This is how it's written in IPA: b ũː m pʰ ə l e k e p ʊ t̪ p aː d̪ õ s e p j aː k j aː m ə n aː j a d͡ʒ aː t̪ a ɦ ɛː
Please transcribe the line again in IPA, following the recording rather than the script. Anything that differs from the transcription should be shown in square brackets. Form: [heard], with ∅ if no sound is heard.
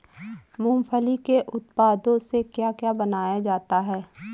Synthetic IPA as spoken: [m] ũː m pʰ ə l [i] k e [ʔ] ʊ t̪ p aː d̪ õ s e [k] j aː k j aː [b] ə n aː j a d͡ʒ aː t̪ a ɦ ɛː